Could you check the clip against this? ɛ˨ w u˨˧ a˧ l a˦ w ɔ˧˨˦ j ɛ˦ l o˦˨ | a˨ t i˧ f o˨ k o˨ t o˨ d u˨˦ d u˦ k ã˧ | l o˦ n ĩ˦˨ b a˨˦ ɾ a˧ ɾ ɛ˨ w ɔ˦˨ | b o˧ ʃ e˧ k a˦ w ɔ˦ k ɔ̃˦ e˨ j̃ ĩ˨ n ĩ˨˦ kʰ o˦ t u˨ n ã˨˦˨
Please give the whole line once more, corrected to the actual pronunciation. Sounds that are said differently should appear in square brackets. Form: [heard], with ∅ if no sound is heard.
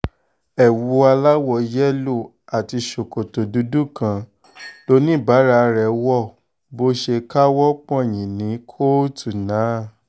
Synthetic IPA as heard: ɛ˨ w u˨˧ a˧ l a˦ w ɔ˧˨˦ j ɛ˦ l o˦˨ | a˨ t i˧ [ʃ] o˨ k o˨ t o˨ d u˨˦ d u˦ k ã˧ | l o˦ n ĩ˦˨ b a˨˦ ɾ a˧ ɾ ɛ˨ w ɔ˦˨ | b o˧ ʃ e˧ k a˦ w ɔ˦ [k͡p] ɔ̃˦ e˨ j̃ ĩ˨ n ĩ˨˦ kʰ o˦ t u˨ n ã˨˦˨